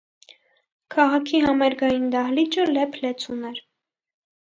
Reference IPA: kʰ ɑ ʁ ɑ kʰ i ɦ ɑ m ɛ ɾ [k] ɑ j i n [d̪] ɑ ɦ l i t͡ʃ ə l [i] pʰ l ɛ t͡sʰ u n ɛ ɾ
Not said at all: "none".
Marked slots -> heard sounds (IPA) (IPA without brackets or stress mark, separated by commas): ɡ, d̪, ɛ